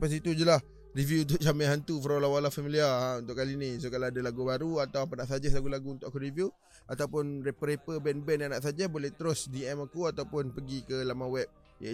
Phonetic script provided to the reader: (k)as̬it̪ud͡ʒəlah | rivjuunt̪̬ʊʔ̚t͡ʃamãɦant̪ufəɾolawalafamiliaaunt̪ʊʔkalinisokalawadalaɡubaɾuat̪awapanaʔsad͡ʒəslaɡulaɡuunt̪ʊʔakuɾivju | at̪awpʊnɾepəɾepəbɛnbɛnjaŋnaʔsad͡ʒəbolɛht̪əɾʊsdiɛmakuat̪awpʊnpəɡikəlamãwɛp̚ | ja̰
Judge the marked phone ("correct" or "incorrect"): incorrect